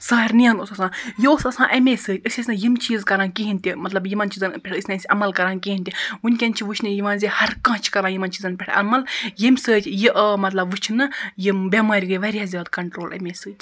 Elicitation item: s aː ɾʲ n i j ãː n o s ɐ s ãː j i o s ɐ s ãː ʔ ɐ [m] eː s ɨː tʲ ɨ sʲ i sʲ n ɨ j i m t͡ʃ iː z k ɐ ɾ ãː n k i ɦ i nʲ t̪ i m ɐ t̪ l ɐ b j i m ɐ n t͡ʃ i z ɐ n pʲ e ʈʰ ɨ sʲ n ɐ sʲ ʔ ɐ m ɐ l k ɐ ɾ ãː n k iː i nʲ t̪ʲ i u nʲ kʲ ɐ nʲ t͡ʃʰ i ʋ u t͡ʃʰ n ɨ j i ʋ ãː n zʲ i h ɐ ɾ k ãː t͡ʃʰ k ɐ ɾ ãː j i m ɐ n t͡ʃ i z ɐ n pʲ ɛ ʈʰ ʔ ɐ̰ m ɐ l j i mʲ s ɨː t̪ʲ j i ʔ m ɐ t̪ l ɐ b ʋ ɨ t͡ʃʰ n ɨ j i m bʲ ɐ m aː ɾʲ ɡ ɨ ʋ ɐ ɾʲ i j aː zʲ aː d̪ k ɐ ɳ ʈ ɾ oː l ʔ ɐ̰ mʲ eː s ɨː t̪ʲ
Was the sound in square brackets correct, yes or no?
yes